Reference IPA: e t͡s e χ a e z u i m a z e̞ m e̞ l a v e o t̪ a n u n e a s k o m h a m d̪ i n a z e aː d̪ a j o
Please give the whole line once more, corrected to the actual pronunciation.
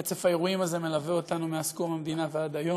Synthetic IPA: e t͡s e f a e ʁ u i m a z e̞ m e̞ l a v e o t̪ a n u m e a s k o m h a m d̪ i n a v e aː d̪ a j o